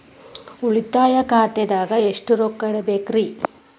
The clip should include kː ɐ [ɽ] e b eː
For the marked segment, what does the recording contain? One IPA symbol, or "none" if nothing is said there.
ɽ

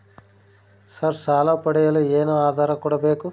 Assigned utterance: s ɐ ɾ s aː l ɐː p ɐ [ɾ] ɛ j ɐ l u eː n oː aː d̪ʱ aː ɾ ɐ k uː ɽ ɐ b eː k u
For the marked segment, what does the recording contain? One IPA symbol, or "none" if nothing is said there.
ɽ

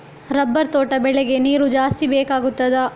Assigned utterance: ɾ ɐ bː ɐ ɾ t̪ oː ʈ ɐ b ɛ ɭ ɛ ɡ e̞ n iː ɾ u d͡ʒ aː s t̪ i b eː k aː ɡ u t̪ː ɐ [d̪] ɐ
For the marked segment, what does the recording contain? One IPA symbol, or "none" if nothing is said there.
d̪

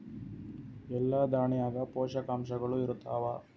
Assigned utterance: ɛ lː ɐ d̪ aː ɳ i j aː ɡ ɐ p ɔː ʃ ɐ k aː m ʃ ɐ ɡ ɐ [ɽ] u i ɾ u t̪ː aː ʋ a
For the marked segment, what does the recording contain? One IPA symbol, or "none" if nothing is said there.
ɭ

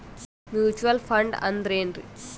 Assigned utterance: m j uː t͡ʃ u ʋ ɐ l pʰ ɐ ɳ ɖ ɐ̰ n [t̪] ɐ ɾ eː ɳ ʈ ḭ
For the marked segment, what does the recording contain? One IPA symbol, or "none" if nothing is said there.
d̪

